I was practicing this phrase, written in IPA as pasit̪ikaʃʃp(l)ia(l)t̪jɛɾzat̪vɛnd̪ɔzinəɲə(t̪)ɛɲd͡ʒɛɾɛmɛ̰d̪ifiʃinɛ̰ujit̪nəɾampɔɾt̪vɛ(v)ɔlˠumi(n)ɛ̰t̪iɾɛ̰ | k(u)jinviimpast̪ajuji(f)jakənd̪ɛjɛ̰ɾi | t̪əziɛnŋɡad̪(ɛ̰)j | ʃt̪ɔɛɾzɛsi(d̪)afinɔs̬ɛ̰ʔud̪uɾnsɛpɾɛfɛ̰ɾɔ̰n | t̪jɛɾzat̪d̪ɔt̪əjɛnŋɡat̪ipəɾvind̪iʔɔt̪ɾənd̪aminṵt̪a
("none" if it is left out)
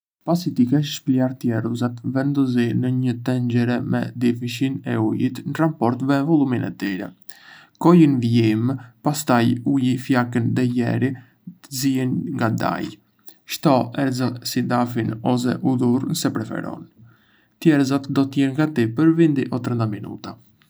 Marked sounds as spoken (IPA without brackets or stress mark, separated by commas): l, ɾ, t̪, v, n, ɔ, f, a̰, d̪